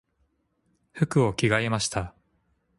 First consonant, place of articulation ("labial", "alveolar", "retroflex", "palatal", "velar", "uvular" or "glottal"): labial